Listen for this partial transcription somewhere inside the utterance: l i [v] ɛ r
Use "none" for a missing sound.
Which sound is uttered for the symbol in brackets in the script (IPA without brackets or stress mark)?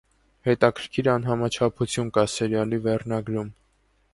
v